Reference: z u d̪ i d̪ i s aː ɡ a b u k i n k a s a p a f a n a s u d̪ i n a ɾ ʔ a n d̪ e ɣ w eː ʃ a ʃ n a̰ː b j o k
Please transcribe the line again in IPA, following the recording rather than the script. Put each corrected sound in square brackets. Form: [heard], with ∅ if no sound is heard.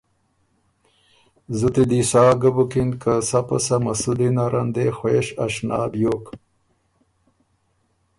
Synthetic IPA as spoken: z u [t̪] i d̪ i s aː ɡ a b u k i n k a s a p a [s] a [m] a s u d̪ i n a ɾ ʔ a n d̪ e [x] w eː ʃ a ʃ n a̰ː b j o k

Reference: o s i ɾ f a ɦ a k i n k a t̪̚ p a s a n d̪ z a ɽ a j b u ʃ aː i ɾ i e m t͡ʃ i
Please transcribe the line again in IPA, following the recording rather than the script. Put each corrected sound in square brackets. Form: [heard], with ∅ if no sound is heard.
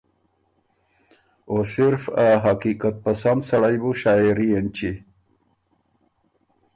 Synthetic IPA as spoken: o s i ɾ f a ɦ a k i [∅] k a t̪̚ p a s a n d̪ [s] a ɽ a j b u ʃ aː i ɾ i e [n] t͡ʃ i

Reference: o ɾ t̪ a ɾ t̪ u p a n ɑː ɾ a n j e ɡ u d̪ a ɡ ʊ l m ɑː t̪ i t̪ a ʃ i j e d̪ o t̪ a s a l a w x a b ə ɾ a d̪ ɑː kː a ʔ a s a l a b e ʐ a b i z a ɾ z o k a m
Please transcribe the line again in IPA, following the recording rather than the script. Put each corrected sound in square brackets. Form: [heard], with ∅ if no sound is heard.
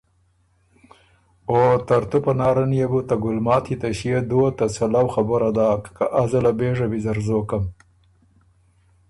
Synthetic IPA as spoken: o [∅] t̪ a ɾ t̪ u p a n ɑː ɾ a n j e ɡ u [t̪] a ɡ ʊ l m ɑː t̪ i t̪ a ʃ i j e d̪ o t̪ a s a l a w x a b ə ɾ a d̪ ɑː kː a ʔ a [z] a l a b e ʐ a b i z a ɾ z o k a m

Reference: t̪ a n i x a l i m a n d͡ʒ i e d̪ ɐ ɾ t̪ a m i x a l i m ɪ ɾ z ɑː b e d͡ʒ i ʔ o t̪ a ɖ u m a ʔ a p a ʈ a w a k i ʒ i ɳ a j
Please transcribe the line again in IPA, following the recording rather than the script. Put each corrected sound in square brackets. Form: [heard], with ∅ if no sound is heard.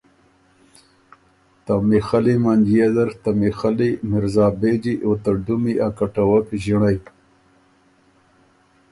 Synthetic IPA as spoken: t̪ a [m] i x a l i m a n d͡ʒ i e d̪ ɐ ɾ t̪ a m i x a l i m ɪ ɾ z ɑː b e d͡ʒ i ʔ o t̪ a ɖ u m [i] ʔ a [k] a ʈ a w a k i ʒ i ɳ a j

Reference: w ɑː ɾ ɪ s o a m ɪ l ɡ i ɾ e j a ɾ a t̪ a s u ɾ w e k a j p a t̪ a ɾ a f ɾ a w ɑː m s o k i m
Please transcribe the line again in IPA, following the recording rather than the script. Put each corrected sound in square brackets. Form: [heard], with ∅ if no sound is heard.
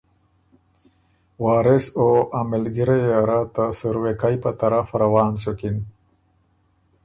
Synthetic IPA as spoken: w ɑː ɾ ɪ s o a m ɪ l ɡ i ɾ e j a ɾ a t̪ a s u ɾ w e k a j p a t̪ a ɾ a f ɾ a w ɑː [n] s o k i [n]

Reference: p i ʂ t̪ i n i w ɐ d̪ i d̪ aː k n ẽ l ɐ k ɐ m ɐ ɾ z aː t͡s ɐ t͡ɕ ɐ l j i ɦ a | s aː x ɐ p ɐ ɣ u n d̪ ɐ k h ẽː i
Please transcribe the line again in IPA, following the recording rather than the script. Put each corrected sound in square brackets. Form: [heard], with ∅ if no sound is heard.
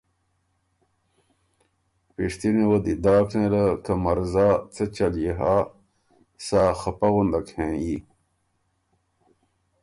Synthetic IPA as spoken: p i ʂ t̪ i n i w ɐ d̪ i d̪ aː k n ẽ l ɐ k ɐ m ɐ ɾ z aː t͡s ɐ t͡ɕ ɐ l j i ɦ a | s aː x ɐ p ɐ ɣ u n d̪ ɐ k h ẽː i

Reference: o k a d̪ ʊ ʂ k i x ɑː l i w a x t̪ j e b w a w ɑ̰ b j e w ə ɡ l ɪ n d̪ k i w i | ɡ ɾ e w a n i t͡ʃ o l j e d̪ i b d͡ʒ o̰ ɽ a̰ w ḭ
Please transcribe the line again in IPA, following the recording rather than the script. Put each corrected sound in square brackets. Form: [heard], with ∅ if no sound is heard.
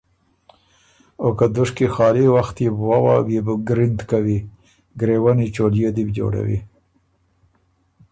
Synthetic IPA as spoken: o k a d̪ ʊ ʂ k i x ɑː l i w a x t̪ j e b w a w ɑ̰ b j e [b] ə ɡ [ɾ] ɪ n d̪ k [a] w i | ɡ ɾ e w a n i t͡ʃ o l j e d̪ i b d͡ʒ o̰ ɽ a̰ w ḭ

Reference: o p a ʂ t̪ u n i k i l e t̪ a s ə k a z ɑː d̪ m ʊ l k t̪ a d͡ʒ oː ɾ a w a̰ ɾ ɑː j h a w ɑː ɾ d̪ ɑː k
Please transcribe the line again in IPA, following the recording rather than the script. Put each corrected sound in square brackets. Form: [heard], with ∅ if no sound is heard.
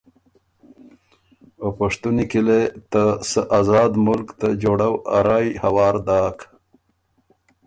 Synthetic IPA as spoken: o p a ʂ t̪ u n i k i l e t̪ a s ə [ʔ] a z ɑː d̪ m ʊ l k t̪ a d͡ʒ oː [ɽ] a w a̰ ɾ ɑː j h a w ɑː ɾ d̪ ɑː k

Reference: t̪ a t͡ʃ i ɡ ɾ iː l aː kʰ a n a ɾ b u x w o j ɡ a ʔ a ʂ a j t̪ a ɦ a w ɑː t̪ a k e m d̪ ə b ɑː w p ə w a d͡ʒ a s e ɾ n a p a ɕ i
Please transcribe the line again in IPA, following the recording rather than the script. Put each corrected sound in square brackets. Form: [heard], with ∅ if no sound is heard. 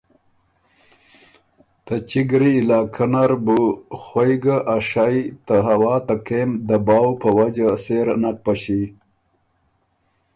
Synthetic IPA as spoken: t̪ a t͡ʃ i ɡ ɾ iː l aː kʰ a n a ɾ b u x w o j ɡ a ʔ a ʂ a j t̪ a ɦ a w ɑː t̪ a k e m d̪ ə b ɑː w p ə w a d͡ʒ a s e ɾ n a p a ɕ i

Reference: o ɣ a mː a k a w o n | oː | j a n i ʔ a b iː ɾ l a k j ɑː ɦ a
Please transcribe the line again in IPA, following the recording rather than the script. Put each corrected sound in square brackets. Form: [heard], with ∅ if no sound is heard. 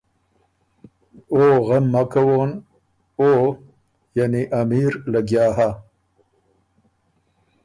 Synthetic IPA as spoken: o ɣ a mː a k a w o n | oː | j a n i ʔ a [m] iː ɾ l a [ɡ] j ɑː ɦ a

